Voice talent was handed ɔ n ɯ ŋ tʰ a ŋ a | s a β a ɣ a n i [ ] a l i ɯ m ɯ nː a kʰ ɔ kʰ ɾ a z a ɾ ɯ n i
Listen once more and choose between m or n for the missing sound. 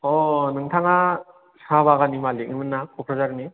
m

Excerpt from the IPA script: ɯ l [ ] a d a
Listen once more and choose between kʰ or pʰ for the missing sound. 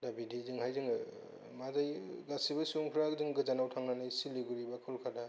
kʰ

